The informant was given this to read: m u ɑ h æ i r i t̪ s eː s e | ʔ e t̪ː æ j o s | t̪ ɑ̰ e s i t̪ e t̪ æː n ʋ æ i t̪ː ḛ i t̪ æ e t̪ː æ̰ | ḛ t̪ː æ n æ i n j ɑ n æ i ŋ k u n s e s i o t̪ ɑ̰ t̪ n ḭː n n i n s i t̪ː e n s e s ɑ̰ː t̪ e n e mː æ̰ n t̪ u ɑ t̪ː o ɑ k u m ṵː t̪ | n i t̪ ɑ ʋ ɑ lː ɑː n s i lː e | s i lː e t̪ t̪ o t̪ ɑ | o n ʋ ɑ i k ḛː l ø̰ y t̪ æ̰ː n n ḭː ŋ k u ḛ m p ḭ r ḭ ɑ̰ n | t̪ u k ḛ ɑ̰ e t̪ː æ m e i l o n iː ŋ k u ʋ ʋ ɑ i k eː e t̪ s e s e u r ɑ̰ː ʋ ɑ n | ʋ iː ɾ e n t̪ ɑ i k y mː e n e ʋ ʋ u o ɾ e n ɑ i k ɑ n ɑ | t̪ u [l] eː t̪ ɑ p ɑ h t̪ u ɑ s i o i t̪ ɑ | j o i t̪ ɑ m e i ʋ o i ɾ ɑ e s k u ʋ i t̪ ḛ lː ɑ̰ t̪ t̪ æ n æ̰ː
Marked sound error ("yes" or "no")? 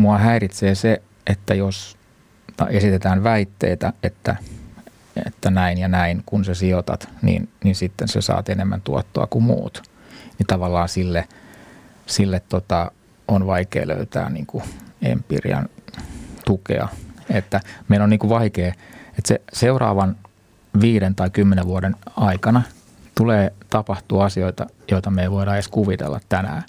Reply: no